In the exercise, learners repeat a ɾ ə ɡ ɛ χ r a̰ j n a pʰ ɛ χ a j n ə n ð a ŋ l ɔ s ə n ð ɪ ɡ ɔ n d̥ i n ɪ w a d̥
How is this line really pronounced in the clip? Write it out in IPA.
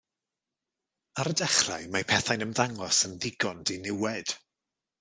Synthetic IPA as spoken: a ɾ ə d ɛ χ r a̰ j m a pʰ ɛ θ a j n ə m ð a ŋ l ɔ s ə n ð ɪ ɡ ɔ n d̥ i n ɪ w ɛ d̥